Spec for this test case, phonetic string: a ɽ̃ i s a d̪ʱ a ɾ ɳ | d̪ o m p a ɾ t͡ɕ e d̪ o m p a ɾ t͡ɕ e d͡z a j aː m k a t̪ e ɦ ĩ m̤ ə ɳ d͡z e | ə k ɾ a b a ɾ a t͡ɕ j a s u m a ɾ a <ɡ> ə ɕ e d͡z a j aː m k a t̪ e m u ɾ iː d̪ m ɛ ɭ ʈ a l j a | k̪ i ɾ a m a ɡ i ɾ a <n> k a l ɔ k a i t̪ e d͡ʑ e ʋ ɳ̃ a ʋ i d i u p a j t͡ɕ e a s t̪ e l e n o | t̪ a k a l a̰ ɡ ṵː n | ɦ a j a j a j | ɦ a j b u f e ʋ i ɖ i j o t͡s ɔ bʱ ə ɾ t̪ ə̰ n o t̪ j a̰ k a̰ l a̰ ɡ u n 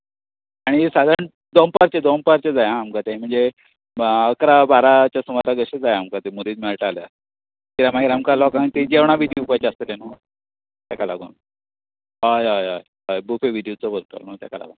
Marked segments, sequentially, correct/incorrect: correct, incorrect: m

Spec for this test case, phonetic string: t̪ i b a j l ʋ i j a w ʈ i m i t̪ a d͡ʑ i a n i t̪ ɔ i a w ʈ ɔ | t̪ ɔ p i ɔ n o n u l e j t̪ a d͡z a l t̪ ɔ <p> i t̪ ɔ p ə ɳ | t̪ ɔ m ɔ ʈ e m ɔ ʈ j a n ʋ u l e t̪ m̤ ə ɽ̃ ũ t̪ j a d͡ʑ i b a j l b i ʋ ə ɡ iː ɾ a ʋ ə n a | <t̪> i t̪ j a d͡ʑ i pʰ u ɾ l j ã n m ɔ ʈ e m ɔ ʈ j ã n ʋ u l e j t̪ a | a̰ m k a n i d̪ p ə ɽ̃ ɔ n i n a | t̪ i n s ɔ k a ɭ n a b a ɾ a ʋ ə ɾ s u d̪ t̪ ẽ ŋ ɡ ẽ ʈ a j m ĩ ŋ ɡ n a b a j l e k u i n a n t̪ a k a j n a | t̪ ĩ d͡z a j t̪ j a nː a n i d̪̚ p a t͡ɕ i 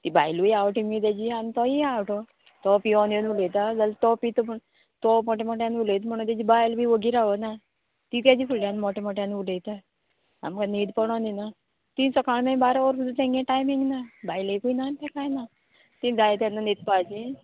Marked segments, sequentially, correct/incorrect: correct, correct

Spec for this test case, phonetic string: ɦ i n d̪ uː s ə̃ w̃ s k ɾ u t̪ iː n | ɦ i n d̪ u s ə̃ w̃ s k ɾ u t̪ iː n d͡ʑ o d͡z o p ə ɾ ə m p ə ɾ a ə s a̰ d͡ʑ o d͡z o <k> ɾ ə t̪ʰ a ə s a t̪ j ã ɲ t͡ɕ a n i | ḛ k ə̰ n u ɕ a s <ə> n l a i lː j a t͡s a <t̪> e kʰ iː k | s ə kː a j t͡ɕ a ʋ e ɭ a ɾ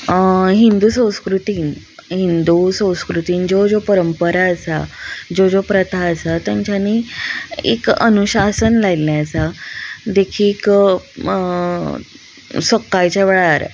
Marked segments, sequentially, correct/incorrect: incorrect: p, correct, incorrect: d̪

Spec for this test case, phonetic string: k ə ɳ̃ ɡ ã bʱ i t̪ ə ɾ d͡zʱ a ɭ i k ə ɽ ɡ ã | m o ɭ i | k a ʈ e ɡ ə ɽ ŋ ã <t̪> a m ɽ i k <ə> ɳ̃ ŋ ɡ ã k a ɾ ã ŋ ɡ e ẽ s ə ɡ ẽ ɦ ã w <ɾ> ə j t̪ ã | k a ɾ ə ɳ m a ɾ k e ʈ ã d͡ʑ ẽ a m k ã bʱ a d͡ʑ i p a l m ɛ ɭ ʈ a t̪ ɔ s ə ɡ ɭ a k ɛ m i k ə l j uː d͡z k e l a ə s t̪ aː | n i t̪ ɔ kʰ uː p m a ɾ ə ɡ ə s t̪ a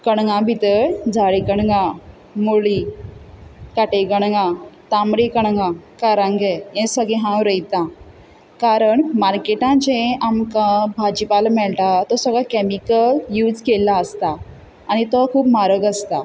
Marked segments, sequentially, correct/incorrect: correct, correct, correct

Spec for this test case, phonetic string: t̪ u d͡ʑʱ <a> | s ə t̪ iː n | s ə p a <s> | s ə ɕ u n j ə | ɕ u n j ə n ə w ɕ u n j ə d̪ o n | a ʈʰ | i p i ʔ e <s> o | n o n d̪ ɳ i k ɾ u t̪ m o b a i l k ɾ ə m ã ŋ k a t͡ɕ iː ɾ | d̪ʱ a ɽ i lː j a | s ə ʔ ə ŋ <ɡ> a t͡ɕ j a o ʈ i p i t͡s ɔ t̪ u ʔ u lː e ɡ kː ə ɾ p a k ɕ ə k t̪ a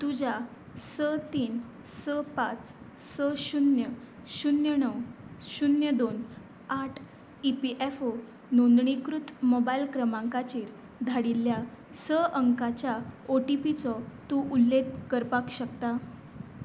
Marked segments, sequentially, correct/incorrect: correct, incorrect: t͡s, incorrect: f, incorrect: k

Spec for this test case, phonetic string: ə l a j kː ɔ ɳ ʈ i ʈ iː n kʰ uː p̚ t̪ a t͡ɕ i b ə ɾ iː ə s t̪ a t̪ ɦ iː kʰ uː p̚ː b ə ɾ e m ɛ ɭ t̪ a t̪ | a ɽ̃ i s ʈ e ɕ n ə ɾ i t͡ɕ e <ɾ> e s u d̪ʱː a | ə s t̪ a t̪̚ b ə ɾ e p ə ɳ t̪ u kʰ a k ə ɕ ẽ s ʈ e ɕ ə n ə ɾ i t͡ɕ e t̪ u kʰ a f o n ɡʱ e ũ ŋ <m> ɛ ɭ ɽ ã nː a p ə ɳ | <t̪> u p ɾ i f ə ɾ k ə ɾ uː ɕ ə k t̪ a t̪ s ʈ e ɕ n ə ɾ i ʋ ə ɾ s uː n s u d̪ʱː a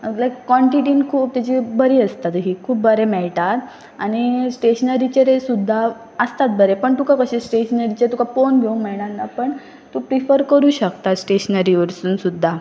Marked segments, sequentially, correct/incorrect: correct, correct, correct

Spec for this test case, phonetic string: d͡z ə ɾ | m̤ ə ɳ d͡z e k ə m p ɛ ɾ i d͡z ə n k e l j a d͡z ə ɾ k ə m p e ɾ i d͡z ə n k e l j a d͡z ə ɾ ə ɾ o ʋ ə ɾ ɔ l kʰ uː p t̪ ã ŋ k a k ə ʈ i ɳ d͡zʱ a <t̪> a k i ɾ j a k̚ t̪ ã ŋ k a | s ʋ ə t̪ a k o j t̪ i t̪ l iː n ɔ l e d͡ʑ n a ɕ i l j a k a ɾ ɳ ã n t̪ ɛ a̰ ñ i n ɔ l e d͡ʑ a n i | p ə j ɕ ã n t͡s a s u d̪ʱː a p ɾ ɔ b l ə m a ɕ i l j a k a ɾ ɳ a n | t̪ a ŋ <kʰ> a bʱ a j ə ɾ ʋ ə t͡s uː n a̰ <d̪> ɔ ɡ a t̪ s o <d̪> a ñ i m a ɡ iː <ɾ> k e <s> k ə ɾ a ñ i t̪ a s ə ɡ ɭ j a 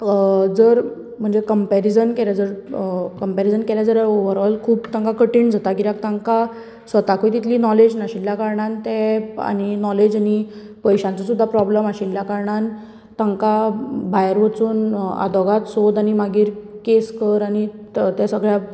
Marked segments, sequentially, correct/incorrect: correct, incorrect: k, correct, correct, correct, correct

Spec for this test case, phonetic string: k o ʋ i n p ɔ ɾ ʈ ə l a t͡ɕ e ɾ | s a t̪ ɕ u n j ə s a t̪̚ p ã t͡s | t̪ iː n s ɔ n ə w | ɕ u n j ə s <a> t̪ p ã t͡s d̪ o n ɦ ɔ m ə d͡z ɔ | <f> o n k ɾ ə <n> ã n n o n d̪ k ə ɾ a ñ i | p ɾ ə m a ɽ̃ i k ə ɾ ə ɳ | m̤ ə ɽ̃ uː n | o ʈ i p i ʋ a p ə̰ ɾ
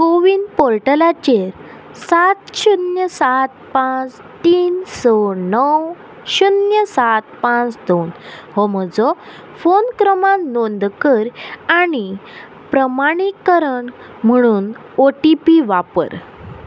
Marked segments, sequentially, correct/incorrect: correct, correct, incorrect: m

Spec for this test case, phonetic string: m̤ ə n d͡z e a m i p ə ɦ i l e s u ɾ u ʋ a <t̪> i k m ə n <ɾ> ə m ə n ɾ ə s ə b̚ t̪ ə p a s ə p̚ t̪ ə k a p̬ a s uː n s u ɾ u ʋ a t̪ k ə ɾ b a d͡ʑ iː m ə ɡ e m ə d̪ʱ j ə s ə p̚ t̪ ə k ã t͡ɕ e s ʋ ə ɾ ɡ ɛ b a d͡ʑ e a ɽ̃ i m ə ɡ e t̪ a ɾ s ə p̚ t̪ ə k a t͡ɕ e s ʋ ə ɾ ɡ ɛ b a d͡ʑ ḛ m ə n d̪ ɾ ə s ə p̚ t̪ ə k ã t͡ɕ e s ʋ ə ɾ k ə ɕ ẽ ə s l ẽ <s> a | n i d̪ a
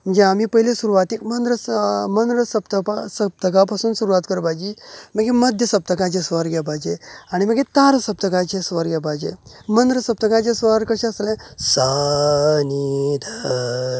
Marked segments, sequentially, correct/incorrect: correct, correct, correct

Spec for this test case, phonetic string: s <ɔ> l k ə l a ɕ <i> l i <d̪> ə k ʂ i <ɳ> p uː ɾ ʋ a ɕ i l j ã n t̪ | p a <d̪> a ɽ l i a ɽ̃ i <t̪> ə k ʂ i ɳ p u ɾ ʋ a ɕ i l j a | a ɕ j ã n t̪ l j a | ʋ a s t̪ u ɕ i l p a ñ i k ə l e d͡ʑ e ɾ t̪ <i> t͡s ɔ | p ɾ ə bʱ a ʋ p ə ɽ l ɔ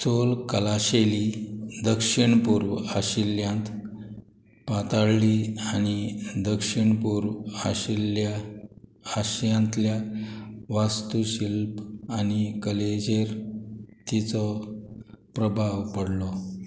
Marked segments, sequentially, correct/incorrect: incorrect: o, incorrect: e, correct, correct, incorrect: t̪, incorrect: d̪, correct

